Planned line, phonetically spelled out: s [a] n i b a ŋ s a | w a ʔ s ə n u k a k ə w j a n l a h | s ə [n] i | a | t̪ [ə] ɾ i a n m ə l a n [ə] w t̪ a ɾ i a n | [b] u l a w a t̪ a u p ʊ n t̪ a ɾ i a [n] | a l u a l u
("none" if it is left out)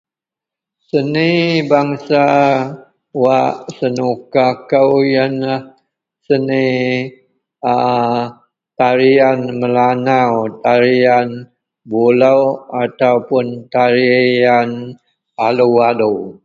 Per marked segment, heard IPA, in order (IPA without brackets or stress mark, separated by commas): ə, n, a, a, b, n